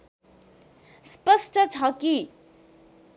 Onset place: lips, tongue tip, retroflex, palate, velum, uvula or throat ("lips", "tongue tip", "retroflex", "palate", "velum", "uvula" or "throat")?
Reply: tongue tip